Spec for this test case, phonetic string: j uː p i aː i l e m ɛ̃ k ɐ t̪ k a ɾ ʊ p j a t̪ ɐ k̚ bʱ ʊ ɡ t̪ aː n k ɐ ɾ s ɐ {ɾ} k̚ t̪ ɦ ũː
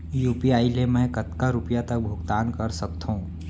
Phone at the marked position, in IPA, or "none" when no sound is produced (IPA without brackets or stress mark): none